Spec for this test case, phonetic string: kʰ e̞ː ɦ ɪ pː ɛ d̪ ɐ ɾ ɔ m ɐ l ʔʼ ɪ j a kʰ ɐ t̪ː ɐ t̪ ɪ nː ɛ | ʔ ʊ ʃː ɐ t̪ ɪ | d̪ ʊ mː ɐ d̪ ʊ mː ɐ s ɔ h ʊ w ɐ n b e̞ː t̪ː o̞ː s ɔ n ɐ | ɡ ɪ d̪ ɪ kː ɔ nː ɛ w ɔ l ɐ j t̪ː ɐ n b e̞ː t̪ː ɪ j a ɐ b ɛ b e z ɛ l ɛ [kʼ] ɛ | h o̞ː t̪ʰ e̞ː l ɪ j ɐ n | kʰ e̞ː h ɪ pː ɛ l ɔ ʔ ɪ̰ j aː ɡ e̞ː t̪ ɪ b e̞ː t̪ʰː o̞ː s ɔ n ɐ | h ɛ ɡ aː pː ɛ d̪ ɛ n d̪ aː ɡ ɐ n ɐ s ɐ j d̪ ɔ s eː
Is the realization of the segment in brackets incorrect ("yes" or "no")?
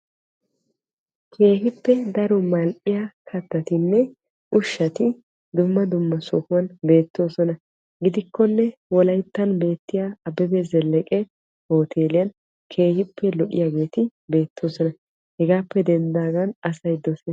no